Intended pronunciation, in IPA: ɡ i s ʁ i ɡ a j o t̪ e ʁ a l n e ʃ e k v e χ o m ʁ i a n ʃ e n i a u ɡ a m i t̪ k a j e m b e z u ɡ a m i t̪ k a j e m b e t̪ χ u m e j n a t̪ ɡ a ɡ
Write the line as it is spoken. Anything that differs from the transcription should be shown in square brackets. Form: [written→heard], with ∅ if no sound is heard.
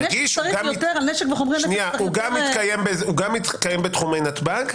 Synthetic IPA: ɡ i [s→ʃ] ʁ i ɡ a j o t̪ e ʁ a l n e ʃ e k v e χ o m ʁ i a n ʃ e n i a u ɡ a m i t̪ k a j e m b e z u ɡ a m i t̪ k a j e m b e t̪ χ u m e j n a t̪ [ɡ→b] a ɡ